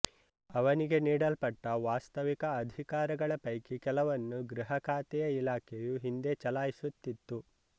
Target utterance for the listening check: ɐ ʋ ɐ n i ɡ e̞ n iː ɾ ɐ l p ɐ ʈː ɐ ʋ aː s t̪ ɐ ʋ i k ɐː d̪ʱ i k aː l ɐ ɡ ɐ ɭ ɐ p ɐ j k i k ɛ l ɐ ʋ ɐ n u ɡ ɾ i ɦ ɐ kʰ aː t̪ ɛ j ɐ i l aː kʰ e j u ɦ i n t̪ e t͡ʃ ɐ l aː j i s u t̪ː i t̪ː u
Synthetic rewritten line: ɐ ʋ ɐ n i ɡ e̞ n iː ɽ ɐ l p ɐ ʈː ɐ ʋ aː s t̪ ɐ ʋ i k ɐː d̪ʱ i k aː ɾ ɐ ɡ ɐ ɭ ɐ p ɐ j k i k ɛ l ɐ ʋ ɐ nː u ɡ ɾ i ɦ ɐ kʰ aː t̪ ɛ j ɐ i l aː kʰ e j u ɦ i n d̪ e t͡ʃ ɐ l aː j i s u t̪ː i t̪ː u